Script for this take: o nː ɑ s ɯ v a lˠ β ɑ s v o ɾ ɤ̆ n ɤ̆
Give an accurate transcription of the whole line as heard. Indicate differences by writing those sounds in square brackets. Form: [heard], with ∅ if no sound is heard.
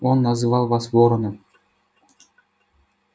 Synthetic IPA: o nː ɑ [z] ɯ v [ɑ] lˠ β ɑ s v o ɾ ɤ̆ n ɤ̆